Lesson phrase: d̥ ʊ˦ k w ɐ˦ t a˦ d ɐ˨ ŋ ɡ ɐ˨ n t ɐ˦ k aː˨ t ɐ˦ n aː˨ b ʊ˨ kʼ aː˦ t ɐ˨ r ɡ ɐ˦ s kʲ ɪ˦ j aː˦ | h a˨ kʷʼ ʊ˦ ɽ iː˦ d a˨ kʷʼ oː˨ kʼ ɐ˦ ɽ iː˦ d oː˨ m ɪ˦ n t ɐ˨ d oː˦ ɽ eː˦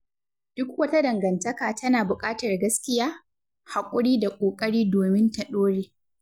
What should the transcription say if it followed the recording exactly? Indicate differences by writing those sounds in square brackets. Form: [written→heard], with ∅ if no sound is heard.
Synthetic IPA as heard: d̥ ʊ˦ k w ɐ˦ t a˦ d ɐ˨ ŋ ɡ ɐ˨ n t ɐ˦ k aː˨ t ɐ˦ n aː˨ b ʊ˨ kʼ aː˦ t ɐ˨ r ɡ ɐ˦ s kʲ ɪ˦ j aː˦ | h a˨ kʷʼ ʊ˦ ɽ iː˦ d a˨ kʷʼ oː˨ kʼ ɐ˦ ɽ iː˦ d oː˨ m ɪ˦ n t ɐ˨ [d→ɗ] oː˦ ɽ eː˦